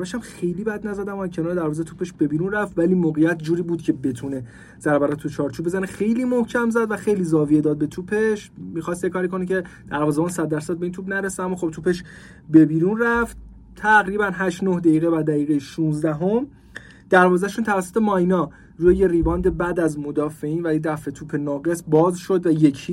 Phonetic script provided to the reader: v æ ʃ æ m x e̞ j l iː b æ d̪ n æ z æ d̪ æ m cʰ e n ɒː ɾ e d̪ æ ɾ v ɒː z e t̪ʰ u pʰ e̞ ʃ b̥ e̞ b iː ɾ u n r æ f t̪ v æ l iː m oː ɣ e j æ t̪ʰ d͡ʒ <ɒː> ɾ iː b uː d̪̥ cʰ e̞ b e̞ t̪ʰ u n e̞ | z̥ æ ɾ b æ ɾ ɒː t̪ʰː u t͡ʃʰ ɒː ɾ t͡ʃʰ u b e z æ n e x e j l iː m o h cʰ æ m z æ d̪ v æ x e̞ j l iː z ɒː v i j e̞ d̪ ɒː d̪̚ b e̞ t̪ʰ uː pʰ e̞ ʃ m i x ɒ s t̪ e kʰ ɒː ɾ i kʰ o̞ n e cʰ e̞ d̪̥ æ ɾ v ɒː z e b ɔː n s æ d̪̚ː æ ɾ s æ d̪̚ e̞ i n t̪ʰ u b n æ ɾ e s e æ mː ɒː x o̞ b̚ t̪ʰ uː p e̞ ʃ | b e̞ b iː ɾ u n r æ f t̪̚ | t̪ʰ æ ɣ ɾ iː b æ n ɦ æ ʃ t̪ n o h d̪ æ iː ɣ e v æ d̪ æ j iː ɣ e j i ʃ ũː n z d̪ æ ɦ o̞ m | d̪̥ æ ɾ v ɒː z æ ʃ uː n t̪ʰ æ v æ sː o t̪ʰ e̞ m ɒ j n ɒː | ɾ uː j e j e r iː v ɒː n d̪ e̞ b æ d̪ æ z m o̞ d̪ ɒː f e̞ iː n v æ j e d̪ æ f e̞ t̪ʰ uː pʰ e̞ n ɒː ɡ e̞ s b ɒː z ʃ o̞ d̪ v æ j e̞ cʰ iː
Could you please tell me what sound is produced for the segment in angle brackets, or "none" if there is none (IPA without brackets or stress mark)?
uː